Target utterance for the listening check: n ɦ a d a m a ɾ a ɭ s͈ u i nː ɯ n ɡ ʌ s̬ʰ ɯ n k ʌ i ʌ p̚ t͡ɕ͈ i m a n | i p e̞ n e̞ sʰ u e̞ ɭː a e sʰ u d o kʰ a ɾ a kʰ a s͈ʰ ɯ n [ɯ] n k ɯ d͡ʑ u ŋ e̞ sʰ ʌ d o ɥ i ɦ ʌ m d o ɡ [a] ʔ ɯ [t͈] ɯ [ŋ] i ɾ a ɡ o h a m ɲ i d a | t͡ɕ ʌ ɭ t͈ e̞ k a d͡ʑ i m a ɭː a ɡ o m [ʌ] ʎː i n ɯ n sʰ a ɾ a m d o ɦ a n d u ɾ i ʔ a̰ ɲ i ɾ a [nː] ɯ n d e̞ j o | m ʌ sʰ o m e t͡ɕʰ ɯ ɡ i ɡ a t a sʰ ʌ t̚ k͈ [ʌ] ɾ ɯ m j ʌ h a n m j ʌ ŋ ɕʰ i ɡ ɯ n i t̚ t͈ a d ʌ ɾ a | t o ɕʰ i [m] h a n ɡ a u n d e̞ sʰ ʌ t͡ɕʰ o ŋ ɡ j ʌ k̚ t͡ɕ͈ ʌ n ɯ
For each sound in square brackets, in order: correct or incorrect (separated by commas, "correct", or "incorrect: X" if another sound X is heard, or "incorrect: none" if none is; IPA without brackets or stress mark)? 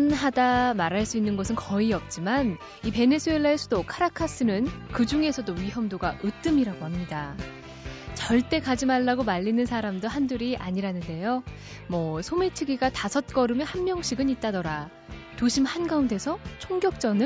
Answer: correct, correct, correct, incorrect: m, incorrect: a, incorrect: n, correct, correct